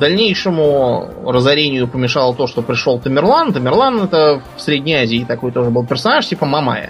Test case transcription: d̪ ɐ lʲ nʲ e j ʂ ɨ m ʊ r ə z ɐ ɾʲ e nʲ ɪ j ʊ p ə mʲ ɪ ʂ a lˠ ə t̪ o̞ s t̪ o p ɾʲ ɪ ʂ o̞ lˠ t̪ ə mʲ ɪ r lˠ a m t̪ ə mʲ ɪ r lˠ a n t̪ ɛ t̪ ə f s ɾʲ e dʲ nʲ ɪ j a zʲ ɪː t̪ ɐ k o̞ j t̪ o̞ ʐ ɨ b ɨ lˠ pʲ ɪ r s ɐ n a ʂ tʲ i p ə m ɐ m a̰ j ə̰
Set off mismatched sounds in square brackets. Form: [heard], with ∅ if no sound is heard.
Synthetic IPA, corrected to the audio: d̪ ɐ lʲ nʲ e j ʂ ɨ m ʊ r ə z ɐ ɾʲ e nʲ ɪ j ʊ p ə mʲ ɪ ʂ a lˠ ə t̪ o̞ [ʂ] t̪ o p ɾʲ ɪ ʂ o̞ lˠ t̪ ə mʲ ɪ r lˠ a [n] t̪ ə mʲ ɪ r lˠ a n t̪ ɛ t̪ ə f s ɾʲ e dʲ nʲ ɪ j a zʲ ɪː t̪ ɐ k o̞ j t̪ o̞ ʐ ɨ b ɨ lˠ pʲ ɪ r s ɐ n a ʂ tʲ i p ə m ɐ m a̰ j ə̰